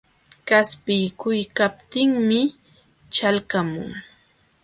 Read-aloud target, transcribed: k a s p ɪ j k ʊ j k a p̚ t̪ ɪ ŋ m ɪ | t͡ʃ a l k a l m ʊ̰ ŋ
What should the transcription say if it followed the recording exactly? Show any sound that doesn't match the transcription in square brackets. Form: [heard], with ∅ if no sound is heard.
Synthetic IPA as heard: k a s p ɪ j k ʊ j k a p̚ t̪ ɪ ŋ m ɪ | t͡ʃ a l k a [∅] m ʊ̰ ŋ